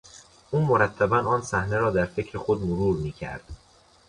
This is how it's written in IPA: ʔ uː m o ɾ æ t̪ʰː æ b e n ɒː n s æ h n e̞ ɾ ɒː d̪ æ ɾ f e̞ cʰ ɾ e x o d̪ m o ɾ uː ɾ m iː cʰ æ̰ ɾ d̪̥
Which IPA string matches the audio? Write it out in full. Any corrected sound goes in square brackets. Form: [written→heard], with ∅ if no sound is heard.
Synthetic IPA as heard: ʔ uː m o ɾ æ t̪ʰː æ b [e→æ] n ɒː n s æ h n e̞ ɾ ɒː d̪ æ ɾ f e̞ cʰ ɾ e x o d̪ m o ɾ uː ɾ m iː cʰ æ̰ ɾ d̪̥